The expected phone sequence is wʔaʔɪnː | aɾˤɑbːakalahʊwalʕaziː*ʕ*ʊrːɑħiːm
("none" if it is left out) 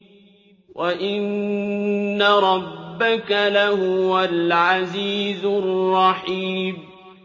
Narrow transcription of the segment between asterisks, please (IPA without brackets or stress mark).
z